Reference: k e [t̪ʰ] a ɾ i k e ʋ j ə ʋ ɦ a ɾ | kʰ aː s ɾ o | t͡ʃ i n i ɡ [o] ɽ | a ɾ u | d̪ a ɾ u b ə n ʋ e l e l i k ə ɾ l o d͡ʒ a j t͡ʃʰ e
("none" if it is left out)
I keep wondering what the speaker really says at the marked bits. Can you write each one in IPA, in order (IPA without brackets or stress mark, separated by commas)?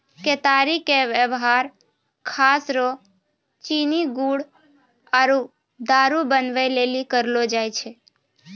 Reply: t̪, u